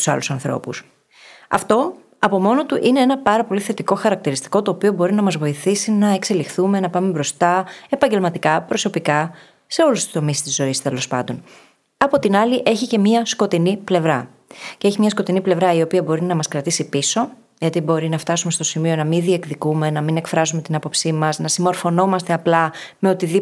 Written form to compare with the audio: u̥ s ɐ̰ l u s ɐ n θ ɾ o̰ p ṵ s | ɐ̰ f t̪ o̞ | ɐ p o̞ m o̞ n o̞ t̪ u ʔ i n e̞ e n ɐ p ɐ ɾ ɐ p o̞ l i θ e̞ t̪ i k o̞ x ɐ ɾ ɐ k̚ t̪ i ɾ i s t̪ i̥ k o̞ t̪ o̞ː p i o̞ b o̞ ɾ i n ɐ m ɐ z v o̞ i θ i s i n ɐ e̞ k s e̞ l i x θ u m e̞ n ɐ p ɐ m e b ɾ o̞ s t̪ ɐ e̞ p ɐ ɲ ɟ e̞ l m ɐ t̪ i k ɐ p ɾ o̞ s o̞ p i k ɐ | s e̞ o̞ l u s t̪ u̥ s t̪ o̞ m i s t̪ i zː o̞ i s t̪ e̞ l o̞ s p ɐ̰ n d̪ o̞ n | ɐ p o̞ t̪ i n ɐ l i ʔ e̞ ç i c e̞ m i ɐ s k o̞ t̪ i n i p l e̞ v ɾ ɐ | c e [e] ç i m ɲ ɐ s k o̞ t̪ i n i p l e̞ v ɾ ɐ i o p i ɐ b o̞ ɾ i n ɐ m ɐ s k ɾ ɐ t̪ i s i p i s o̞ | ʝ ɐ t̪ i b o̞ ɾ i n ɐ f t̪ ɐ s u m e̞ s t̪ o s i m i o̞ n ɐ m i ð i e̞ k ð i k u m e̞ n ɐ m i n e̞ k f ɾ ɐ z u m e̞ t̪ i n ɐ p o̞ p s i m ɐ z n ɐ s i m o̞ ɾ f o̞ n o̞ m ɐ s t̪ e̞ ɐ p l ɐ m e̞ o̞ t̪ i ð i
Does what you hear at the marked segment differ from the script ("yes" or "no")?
no